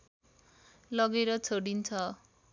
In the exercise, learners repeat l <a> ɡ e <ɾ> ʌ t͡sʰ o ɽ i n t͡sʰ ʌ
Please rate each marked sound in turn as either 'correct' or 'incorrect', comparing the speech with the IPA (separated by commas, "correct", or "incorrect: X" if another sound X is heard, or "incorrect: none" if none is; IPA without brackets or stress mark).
incorrect: ʌ, correct